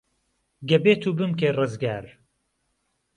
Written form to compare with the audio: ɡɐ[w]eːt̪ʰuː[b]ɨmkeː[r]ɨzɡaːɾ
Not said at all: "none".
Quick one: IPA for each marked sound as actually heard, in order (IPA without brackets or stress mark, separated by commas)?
b, b, r